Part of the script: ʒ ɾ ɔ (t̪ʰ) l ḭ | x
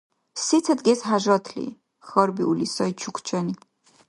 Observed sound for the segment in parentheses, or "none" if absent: t̪ʰ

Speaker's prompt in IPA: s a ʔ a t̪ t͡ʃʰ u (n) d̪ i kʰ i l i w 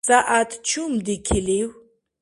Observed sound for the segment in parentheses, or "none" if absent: m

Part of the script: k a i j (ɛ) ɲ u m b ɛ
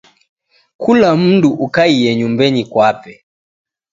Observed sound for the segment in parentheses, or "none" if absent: ɛ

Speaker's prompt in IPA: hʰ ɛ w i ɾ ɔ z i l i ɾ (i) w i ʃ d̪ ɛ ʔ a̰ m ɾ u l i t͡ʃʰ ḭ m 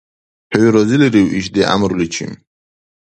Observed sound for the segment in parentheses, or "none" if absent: i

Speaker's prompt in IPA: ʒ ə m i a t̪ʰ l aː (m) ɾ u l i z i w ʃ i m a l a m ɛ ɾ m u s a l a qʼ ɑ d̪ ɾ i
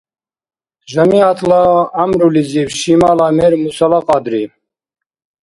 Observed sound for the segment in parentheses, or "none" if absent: m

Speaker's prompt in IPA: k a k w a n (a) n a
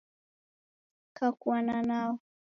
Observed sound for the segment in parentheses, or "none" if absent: a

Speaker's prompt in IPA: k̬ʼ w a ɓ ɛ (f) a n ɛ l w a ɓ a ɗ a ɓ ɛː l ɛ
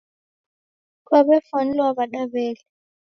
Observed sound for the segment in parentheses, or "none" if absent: f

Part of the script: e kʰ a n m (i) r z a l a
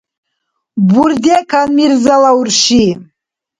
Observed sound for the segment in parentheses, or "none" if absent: i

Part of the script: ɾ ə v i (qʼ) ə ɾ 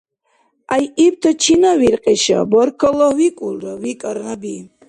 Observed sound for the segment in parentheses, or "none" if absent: kʼ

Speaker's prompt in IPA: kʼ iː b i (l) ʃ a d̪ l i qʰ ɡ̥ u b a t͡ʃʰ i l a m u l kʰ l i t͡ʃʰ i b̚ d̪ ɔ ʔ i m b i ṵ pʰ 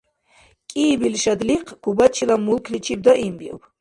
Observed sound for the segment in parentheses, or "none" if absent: l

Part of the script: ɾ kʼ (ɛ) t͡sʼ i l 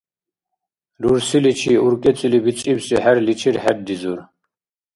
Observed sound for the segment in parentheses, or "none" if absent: ɛ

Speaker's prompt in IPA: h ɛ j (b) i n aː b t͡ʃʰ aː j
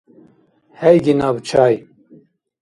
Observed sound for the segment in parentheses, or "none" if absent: ɡ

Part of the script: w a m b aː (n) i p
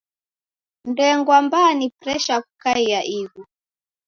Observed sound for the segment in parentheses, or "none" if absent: n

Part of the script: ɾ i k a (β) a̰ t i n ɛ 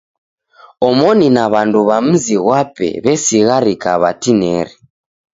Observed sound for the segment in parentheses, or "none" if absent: β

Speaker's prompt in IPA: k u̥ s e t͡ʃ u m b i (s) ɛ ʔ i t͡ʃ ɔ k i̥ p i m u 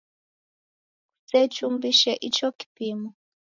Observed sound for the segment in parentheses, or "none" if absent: ʃ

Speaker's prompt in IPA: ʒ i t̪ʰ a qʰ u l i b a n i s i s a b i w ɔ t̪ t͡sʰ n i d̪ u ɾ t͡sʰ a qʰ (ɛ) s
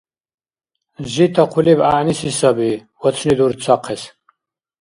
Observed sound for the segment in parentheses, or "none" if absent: ɛ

